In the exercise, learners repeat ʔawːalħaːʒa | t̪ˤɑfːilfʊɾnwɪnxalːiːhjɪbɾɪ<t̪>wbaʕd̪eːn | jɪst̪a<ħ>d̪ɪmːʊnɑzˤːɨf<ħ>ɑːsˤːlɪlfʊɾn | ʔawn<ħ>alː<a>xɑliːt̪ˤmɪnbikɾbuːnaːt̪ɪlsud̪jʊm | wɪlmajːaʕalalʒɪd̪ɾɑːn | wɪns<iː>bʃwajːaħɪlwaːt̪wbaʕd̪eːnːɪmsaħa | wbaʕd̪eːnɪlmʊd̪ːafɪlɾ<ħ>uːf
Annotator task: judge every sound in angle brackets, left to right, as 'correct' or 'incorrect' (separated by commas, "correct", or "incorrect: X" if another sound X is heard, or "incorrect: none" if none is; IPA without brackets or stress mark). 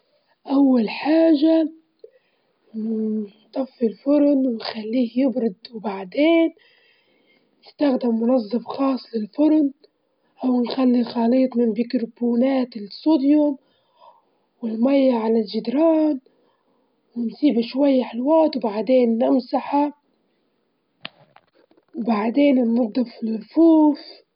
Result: incorrect: d̪, incorrect: x, incorrect: x, incorrect: x, incorrect: i, correct, incorrect: f